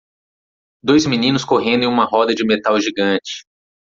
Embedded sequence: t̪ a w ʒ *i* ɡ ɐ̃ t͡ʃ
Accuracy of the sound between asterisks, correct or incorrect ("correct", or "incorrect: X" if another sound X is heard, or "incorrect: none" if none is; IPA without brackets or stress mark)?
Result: correct